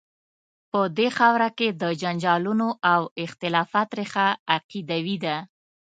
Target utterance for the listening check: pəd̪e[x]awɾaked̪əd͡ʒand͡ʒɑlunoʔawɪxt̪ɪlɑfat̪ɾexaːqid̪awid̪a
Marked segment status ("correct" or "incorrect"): correct